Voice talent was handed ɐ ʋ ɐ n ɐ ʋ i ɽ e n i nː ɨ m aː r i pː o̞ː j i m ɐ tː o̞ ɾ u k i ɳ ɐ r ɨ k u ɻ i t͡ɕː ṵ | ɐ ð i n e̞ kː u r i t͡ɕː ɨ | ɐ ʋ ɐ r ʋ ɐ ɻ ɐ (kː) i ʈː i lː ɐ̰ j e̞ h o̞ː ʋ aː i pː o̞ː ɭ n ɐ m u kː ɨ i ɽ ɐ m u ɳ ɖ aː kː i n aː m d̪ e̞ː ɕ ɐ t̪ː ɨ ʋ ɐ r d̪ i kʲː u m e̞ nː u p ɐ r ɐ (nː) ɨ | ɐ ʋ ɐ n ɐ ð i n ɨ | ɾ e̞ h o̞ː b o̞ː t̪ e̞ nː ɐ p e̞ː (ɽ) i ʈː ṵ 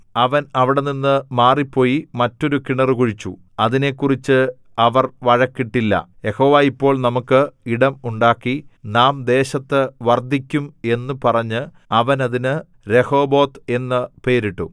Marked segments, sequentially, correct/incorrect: correct, incorrect: ɲː, incorrect: ɾ

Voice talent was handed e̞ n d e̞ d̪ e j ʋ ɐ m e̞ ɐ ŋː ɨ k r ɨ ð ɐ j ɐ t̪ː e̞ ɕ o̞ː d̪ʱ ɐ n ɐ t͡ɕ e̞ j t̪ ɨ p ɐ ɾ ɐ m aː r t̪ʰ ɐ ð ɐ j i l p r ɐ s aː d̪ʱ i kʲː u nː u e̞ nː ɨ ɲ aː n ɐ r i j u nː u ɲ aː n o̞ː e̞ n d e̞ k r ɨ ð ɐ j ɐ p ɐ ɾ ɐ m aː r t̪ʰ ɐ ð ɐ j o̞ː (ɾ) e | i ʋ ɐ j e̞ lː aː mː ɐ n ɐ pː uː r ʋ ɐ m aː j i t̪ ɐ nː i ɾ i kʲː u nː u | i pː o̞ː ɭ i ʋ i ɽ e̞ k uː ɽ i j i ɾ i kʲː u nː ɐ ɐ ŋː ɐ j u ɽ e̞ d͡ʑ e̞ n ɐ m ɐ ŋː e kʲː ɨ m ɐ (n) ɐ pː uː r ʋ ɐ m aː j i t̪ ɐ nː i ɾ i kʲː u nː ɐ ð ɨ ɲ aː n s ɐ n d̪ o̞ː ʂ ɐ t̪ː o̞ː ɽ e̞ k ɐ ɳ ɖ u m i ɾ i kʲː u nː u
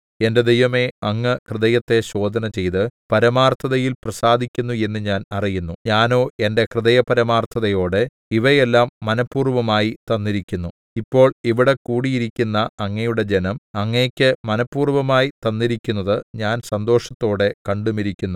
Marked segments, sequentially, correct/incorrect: incorrect: ɽ, correct

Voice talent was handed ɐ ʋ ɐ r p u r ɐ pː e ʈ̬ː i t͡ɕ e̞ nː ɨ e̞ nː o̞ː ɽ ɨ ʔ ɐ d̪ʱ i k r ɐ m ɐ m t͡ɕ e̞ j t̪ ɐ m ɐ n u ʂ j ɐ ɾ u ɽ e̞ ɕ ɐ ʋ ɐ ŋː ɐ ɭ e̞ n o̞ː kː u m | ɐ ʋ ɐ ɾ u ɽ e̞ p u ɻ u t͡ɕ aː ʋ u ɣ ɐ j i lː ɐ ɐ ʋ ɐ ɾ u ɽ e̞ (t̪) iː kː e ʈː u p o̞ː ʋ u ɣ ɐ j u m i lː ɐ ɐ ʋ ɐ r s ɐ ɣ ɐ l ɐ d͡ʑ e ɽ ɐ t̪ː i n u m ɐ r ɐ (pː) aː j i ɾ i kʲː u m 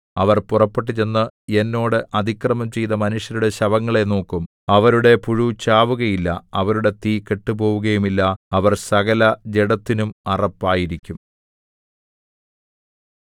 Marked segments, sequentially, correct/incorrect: correct, correct

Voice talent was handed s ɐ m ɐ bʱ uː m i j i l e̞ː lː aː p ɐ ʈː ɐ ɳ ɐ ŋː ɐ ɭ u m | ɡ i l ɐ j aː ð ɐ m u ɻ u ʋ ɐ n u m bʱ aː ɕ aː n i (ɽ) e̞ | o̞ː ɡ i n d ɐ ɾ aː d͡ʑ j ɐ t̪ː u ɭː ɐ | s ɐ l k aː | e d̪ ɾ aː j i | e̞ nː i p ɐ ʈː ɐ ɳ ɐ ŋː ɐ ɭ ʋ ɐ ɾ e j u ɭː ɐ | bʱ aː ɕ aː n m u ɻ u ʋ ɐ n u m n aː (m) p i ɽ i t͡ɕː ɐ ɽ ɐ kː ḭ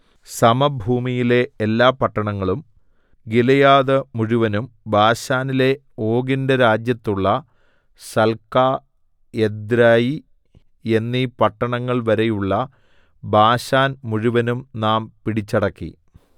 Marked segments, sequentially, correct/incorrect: incorrect: l, correct

